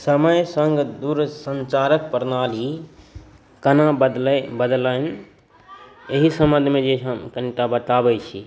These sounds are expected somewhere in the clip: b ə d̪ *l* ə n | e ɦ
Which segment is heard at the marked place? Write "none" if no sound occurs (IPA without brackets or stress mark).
l